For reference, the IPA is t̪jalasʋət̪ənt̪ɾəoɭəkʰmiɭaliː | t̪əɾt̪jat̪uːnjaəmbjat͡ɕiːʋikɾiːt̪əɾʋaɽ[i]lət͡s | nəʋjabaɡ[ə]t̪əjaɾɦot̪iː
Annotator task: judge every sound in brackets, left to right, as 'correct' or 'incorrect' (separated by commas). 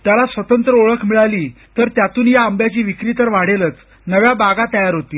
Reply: incorrect, incorrect